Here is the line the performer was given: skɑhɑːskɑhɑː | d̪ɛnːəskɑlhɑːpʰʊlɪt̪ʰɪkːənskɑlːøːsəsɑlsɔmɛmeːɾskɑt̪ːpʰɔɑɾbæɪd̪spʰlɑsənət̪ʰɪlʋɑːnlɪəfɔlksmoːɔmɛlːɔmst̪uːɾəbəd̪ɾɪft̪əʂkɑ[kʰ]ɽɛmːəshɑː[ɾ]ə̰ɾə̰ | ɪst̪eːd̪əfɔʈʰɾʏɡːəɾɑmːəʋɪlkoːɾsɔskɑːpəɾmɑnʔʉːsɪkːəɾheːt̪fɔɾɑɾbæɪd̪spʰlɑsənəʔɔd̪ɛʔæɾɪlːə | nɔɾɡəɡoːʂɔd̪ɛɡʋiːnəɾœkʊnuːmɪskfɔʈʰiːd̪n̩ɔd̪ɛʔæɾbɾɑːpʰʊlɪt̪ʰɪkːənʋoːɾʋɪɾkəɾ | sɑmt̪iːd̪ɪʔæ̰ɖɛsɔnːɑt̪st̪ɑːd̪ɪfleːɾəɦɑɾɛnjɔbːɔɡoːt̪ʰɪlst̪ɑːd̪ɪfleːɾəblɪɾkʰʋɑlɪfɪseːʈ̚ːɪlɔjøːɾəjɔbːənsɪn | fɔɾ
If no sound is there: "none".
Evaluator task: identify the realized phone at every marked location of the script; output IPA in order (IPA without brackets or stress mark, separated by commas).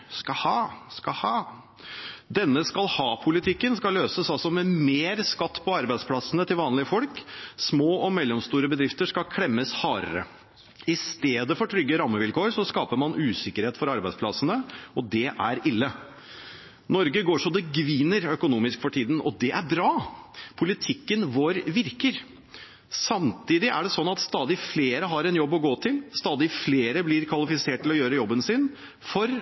kʰ, ɾ